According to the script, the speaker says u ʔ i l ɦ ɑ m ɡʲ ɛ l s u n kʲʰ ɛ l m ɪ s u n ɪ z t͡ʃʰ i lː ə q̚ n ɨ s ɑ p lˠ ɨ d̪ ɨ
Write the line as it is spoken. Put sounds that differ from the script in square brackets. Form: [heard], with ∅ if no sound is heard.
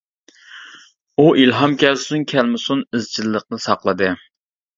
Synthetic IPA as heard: u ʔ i l ɦ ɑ m [kʲ] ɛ l s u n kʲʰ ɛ l m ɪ s u n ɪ z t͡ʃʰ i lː ə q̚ n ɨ s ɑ [q] lˠ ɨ d̪ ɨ

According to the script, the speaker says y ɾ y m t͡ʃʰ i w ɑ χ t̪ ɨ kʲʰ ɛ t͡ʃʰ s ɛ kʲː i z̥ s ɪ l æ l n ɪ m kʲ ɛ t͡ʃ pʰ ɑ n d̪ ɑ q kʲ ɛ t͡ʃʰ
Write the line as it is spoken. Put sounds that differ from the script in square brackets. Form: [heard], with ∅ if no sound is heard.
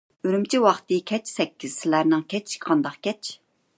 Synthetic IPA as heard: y ɾ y m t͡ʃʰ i w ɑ χ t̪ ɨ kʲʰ ɛ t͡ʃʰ s ɛ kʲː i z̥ s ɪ l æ [ɾ] n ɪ [ŋ] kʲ ɛ t͡ʃ [qʰ] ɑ n d̪ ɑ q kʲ ɛ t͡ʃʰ

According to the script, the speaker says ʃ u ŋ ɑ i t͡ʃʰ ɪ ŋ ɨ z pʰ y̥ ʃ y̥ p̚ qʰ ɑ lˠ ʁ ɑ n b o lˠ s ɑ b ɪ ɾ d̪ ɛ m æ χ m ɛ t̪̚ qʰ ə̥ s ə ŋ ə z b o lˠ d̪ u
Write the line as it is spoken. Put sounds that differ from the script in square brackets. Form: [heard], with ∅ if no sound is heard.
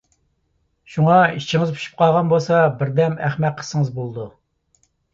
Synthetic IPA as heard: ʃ u ŋ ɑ i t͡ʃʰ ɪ ŋ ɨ z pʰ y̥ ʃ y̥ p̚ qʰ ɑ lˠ ʁ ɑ n b o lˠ s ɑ b ɪ ɾ d̪ ɛ m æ χ m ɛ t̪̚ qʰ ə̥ s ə ŋ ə z b o lˠ d̪ u

